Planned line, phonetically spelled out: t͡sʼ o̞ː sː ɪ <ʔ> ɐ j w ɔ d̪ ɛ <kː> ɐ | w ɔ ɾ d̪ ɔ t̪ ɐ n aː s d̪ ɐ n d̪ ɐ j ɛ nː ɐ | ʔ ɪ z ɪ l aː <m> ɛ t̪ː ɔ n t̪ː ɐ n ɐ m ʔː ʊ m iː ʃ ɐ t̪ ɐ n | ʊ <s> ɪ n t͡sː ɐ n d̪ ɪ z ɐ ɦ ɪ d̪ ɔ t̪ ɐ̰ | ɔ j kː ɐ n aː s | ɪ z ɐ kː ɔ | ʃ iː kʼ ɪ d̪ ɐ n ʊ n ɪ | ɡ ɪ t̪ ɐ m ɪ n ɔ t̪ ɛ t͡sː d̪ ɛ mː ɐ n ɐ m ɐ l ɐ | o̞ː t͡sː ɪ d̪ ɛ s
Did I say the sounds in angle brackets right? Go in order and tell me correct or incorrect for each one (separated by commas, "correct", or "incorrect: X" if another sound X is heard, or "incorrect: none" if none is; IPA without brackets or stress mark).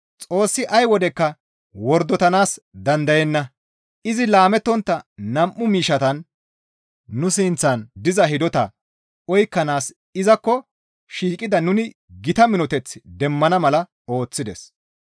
correct, correct, correct, correct